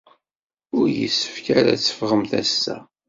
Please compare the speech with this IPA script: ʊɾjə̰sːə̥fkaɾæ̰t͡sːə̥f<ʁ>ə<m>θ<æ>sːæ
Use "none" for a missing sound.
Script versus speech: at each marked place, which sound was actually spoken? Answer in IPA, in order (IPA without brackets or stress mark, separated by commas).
ʁ, m, æ